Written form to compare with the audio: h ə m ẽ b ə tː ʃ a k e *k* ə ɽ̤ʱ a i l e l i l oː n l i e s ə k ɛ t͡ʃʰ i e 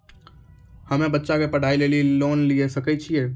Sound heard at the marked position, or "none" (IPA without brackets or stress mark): p